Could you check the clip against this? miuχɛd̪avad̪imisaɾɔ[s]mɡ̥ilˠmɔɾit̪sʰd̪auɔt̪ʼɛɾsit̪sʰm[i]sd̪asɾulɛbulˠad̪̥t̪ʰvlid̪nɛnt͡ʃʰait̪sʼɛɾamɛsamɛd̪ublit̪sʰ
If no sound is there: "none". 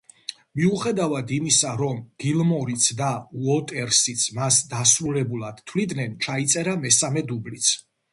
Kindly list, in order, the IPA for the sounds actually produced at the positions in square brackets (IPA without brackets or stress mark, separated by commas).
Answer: none, a